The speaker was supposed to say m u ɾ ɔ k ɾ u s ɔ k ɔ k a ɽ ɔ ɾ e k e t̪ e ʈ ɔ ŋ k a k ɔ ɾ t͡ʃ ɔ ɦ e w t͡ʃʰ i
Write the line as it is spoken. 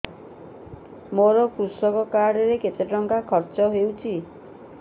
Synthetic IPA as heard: m o ɾ ɔ k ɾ u s ɔ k ɔ k a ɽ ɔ ɾ e k e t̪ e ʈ ɔ ŋ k a kʰ ɔ ɾ t͡ʃ ɔ ɦ e w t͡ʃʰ i